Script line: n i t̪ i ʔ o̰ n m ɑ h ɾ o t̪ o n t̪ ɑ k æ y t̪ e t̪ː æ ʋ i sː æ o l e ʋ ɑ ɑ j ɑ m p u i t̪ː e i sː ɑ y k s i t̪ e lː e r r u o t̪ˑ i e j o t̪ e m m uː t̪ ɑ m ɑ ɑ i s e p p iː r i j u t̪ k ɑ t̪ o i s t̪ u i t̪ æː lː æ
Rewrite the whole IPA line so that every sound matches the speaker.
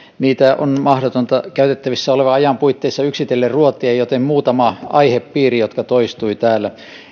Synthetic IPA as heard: n iː t̪ æ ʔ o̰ n m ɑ h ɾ o t̪ o n t̪ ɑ k æ y t̪ e t̪ː æ ʋ i sː æ o l e ʋ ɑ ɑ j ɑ m p u i t̪ː e i sː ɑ y k s i t̪ e lː e r r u o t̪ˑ i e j o t̪ e m m uː t̪ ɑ m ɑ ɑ i h e p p iː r i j o t̪ k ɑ t̪ o i s t̪ u i t̪ æː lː æ